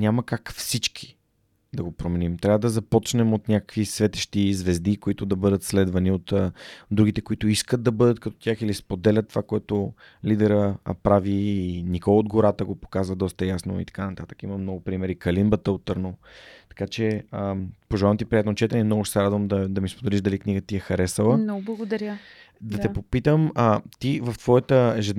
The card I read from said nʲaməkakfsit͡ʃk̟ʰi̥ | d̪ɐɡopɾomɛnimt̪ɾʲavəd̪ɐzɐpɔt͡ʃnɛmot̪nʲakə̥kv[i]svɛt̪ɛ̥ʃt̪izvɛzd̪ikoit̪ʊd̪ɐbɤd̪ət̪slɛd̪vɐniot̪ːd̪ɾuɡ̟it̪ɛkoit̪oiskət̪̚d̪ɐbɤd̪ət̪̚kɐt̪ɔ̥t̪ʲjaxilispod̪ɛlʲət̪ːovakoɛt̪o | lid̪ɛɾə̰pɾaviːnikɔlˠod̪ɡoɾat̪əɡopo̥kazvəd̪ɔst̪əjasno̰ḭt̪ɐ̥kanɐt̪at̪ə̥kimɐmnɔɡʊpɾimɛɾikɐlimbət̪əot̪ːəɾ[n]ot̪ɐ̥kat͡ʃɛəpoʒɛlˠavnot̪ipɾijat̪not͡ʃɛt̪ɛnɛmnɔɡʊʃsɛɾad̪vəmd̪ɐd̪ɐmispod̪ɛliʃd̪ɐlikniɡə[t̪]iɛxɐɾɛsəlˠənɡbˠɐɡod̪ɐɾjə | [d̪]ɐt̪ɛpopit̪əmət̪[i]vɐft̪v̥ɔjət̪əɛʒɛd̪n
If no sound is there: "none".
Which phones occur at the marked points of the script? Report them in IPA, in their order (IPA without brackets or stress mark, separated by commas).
i, n, t̪, d̪, i